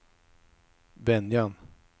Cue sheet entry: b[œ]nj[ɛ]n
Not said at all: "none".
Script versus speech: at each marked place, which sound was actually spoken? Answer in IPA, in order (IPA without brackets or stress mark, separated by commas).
ɛ, a